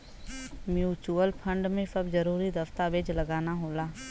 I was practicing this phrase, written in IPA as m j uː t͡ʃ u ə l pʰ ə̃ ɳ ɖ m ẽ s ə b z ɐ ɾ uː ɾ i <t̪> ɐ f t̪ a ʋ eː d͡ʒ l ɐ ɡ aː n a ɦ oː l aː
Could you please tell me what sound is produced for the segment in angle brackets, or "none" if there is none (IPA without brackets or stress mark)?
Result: d̪